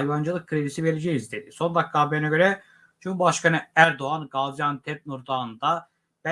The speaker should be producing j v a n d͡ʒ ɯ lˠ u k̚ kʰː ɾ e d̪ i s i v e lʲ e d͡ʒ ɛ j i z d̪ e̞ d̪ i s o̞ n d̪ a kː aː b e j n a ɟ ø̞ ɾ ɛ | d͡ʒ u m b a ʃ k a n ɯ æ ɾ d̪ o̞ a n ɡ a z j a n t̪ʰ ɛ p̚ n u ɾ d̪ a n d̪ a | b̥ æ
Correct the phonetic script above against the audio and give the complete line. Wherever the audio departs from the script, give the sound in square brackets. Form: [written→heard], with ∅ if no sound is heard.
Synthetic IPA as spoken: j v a n d͡ʒ ɯ lˠ [u→ɯ] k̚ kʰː ɾ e d̪ i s i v e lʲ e d͡ʒ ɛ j i z d̪ e̞ d̪ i s o̞ n d̪ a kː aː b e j n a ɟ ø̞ ɾ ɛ | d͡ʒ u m b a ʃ k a n ɯ æ ɾ d̪ o̞ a n ɡ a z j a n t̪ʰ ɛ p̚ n u ɾ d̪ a n d̪ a | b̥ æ